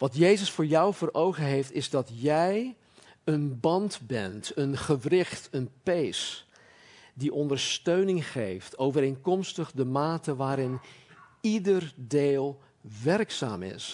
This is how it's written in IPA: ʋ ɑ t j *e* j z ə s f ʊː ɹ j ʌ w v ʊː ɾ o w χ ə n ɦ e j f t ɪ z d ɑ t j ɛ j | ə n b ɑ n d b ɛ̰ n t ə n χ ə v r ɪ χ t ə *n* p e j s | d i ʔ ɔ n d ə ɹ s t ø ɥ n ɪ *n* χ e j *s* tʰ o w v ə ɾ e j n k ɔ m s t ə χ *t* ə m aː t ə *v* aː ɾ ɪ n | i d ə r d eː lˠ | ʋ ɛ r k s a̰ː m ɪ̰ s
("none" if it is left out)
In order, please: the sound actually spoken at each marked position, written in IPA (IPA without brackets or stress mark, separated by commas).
e, n, ŋ, f, d, ʋ